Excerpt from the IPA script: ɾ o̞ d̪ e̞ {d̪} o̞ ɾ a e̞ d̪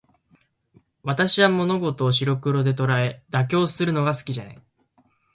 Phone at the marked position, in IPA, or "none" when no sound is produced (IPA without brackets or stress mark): t̪